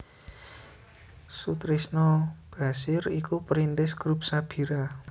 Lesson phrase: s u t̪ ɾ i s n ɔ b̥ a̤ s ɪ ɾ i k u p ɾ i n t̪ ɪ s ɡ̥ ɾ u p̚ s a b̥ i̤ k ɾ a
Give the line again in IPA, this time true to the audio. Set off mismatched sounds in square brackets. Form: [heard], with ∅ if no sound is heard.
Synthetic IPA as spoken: s u t̪ ɾ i s n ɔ b̥ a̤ s ɪ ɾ i k u p ɾ i n t̪ ɪ s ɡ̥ ɾ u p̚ s a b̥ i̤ [∅] ɾ a